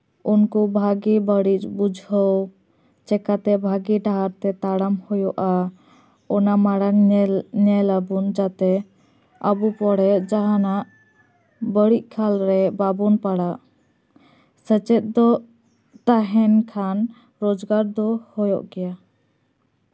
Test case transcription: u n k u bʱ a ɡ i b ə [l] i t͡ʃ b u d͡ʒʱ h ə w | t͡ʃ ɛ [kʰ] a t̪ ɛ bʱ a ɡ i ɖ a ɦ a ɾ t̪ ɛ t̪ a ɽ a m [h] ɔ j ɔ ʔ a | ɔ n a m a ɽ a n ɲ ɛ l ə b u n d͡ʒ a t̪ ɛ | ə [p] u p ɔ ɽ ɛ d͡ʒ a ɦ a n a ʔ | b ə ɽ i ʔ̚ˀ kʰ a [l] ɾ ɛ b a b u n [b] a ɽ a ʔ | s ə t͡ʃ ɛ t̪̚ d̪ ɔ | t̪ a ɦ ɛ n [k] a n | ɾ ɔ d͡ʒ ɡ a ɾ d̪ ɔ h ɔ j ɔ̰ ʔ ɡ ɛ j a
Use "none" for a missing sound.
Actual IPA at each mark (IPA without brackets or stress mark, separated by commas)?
ɽ, k, h, b, l, p, kʰ